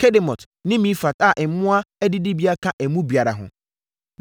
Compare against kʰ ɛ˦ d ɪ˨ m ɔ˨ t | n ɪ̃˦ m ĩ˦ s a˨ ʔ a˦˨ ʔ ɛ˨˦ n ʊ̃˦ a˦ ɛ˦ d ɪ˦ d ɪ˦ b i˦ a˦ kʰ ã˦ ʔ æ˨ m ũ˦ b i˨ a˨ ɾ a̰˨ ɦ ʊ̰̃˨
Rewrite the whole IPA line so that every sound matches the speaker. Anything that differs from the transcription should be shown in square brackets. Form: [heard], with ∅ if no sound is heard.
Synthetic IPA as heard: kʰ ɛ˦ d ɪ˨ m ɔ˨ t | n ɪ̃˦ m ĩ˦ [f] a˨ [t] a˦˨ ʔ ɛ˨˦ [m] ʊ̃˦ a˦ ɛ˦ d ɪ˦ d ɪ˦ b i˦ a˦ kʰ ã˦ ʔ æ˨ m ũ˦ b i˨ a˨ ɾ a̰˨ ɦ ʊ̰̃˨